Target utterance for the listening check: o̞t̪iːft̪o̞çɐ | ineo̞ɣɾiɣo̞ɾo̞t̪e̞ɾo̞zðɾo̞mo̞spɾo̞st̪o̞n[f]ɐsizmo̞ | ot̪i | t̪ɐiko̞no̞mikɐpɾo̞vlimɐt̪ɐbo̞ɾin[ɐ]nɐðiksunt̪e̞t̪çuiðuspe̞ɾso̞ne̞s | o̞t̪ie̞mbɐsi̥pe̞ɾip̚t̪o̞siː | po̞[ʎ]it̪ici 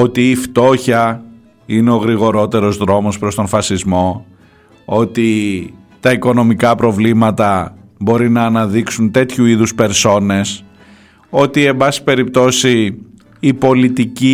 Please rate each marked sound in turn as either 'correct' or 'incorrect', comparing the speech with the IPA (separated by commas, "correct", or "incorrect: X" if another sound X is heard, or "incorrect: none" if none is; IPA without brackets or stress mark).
correct, incorrect: ɐː, incorrect: l